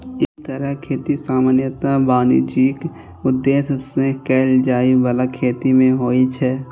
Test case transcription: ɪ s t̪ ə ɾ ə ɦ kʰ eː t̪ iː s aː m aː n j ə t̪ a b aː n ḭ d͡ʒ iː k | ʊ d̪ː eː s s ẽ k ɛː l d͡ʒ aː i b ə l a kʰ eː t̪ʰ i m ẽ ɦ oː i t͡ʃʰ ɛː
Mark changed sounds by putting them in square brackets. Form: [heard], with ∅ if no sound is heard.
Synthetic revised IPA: ɪ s t̪ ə ɾ ə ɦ kʰ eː t̪ [i] s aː m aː n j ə t̪ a b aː n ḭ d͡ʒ iː k | ʊ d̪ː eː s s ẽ k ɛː l d͡ʒ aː i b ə l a kʰ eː [t̪] i m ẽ ɦ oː i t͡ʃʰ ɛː